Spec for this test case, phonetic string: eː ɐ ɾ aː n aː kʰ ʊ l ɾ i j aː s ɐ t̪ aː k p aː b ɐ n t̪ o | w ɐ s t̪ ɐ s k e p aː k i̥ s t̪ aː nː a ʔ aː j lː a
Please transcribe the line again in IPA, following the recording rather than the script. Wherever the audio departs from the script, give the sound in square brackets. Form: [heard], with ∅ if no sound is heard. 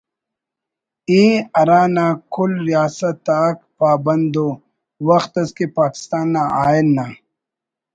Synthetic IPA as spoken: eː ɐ ɾ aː n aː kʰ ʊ l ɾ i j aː s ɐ t̪ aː k p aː b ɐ n [d̪] o | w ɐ [x] t̪ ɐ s k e p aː k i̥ s t̪ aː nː a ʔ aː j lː a

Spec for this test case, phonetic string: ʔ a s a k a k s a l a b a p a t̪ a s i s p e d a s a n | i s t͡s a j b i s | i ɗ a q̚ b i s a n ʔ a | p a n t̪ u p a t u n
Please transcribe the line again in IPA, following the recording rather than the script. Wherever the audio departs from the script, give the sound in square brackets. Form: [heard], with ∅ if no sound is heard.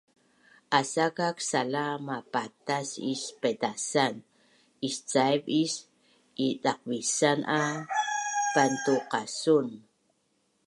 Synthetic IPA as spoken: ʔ a s a k a k s a l a [m] a p a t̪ a s i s p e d a s a n | i s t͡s a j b i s | i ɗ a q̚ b i s a n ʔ a | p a n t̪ u [q] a [s] u n

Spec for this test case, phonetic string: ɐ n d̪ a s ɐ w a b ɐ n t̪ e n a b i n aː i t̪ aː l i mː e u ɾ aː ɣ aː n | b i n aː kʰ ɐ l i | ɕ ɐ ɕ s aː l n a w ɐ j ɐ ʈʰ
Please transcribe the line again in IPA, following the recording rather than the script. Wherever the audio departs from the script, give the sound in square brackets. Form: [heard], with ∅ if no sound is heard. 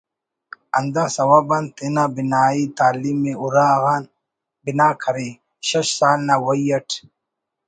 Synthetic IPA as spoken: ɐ n d̪ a s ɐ w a b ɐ n t̪ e n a b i n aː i t̪ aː l i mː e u ɾ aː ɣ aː n | b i n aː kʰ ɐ [ɾ] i | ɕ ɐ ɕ s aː l n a w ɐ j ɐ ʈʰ

